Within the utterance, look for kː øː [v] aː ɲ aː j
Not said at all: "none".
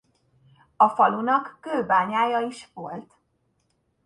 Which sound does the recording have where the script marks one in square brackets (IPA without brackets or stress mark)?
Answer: b